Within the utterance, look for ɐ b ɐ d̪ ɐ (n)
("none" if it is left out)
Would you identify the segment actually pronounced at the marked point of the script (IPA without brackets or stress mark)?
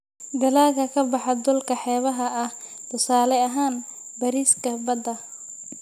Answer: none